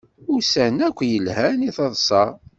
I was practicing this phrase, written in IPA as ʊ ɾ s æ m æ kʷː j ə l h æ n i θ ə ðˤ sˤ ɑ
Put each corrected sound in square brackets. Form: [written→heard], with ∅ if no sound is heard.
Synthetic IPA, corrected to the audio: ʊ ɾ s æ [m→n] æ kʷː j ə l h æ n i θ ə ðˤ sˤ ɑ